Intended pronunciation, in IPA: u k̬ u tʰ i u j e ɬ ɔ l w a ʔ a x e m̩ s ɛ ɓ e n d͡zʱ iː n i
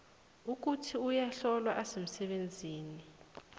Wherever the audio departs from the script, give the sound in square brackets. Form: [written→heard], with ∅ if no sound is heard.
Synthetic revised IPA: u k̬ u tʰ i u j [e→a] ɬ ɔ l w a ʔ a [x→s] e m̩ s ɛ ɓ e n d͡zʱ iː n i